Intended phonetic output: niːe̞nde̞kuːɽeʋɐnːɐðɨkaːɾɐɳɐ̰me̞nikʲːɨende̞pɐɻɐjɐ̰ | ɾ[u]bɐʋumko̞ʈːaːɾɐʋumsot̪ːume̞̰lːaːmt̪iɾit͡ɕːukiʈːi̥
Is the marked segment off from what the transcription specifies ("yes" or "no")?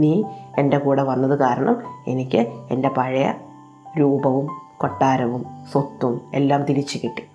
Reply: yes